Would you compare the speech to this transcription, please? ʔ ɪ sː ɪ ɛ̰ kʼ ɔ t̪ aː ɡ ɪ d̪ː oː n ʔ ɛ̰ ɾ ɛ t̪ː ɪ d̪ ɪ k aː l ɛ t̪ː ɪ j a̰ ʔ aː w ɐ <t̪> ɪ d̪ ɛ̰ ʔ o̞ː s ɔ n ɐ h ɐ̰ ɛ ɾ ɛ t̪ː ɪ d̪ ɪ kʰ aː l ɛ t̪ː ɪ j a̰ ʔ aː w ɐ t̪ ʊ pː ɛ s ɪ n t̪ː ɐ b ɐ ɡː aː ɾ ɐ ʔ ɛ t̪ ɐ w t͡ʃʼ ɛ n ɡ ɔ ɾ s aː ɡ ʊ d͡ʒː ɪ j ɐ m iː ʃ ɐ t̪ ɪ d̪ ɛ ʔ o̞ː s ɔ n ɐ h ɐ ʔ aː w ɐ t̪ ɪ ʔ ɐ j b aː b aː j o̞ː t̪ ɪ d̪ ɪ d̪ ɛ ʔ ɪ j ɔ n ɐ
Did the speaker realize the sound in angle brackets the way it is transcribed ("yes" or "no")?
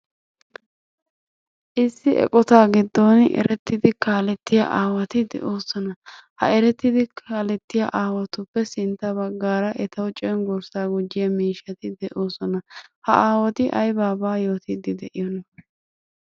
yes